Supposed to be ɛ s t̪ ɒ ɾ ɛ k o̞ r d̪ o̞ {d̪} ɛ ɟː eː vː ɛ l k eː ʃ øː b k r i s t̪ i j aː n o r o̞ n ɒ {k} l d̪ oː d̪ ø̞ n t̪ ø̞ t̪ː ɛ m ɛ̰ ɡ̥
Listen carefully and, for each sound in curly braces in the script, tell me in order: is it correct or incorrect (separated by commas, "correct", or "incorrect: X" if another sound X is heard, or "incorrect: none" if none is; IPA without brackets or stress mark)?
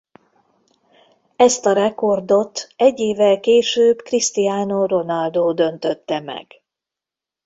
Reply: incorrect: t̪, incorrect: none